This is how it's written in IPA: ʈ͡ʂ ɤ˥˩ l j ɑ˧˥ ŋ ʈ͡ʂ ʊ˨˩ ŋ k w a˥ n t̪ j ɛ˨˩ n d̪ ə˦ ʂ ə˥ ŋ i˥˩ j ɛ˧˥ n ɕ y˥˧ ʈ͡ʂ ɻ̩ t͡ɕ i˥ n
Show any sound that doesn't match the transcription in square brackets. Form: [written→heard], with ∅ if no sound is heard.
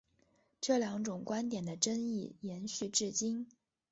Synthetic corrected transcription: ʈ͡ʂ ɤ˥˩ l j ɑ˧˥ ŋ ʈ͡ʂ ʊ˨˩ ŋ k w a˥ n t̪ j ɛ˨˩ n d̪ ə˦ [ʂ→ʈ͡ʂ] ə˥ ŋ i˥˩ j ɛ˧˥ n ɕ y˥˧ ʈ͡ʂ ɻ̩ t͡ɕ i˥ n